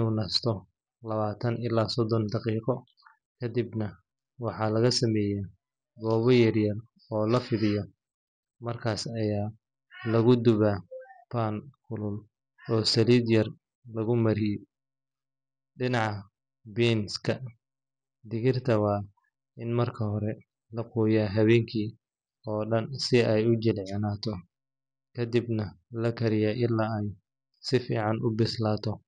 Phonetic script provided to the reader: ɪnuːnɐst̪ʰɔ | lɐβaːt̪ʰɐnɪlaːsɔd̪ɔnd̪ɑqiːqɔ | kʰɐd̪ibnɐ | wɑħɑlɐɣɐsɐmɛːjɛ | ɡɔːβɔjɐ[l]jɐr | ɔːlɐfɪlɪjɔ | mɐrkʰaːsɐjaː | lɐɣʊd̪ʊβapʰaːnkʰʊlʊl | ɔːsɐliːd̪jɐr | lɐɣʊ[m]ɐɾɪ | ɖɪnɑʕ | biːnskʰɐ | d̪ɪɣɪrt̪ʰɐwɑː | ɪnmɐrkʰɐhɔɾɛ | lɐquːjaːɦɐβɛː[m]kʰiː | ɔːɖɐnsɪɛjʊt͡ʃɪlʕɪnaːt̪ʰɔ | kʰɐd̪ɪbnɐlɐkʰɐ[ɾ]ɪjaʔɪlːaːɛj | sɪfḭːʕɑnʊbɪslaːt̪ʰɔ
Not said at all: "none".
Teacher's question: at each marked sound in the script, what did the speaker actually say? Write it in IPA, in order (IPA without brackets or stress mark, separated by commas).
r, m, ŋ, ɾ